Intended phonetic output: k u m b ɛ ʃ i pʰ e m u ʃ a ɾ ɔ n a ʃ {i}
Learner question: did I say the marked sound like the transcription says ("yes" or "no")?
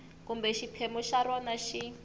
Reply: yes